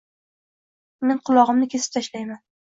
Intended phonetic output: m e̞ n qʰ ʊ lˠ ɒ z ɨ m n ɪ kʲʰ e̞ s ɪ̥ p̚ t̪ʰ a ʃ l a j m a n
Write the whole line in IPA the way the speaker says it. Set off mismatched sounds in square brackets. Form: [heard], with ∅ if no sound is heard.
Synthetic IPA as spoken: m e̞ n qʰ ʊ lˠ ɒ [ʁ] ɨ m n ɪ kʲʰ e̞ s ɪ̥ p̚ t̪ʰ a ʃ l a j m a n